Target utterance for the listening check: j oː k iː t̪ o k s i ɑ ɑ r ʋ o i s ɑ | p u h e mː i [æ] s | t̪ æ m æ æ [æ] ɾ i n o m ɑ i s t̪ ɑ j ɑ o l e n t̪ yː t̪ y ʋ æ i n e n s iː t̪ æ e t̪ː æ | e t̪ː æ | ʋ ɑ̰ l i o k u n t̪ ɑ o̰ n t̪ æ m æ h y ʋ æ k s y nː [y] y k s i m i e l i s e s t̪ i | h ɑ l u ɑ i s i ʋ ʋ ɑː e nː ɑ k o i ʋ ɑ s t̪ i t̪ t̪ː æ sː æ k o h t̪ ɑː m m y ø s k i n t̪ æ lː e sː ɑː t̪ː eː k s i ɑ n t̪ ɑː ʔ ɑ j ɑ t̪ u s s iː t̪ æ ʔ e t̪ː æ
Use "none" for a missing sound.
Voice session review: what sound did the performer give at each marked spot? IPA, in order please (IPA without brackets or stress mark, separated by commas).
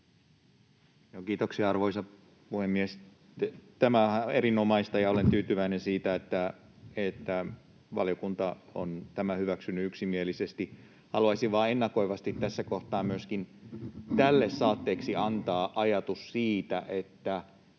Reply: e, e, y